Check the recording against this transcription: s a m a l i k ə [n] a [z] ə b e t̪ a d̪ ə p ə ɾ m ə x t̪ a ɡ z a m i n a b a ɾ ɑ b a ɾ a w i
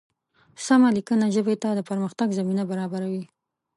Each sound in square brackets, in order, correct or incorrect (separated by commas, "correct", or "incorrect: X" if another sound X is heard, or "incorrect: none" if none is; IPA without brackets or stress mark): correct, incorrect: ʒ